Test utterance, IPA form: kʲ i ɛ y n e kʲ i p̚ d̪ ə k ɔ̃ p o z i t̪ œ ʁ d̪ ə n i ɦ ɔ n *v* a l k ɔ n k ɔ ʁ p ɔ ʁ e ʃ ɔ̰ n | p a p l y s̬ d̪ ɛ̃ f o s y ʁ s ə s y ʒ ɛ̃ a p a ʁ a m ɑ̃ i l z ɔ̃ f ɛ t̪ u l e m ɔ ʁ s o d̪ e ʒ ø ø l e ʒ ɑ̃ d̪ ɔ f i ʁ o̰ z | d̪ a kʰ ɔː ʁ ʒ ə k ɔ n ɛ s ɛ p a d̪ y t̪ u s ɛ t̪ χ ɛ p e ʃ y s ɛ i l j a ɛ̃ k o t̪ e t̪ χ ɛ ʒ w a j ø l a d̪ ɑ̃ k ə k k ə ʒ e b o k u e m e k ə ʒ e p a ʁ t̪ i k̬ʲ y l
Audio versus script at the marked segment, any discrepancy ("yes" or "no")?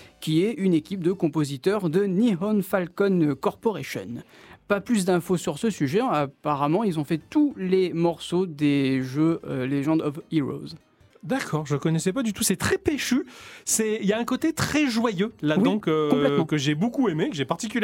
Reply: yes